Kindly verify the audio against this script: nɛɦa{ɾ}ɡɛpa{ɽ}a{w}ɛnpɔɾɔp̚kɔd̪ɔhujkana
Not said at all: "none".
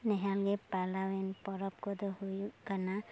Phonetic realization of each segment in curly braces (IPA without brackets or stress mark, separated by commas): l, l, w